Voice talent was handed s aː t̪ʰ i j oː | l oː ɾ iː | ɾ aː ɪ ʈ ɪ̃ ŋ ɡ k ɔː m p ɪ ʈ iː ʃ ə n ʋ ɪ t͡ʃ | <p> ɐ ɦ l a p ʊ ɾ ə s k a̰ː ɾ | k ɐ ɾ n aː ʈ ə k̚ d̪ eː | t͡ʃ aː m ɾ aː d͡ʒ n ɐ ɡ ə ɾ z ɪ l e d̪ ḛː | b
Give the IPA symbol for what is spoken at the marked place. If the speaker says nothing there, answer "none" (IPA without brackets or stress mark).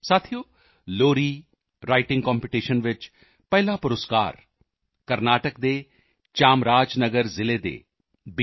p